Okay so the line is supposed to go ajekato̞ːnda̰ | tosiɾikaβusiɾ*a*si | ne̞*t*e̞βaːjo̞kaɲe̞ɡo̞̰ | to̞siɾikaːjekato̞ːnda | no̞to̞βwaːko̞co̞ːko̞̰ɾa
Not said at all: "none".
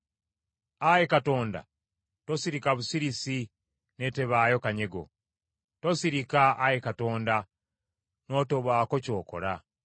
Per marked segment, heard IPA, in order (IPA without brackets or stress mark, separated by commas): i, t